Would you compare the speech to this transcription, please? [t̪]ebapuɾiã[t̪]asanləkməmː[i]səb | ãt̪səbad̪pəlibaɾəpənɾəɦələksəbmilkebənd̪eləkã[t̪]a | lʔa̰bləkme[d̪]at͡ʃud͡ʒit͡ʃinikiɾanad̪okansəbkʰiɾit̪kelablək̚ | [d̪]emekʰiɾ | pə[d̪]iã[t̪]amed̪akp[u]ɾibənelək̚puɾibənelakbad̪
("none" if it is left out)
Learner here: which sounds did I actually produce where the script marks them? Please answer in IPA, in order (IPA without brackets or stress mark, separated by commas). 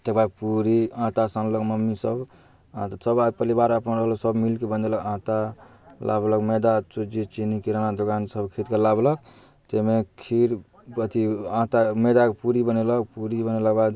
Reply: t̪, t̪, i, t̪, d̪, t̪, t̪, t̪, u